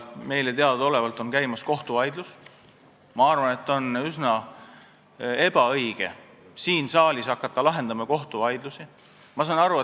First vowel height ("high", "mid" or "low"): mid